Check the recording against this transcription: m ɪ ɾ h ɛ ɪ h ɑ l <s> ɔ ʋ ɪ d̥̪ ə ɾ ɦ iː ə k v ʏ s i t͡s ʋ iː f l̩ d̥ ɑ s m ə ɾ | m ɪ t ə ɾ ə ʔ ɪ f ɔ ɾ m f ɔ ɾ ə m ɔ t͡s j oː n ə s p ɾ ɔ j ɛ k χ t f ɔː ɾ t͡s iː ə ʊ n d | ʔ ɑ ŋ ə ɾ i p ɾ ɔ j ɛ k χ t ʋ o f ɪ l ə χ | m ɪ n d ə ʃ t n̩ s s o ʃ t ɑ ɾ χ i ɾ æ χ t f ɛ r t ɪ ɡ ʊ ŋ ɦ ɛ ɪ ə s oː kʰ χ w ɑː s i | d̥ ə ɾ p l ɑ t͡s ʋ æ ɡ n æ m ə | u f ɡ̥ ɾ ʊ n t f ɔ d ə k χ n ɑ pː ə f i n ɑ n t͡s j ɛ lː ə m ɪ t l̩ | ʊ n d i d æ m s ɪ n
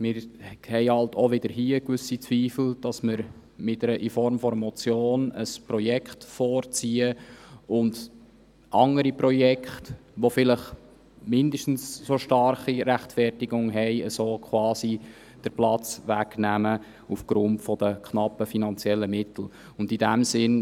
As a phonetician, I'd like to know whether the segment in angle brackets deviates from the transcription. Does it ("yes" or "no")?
yes